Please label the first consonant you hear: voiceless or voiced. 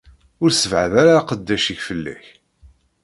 voiced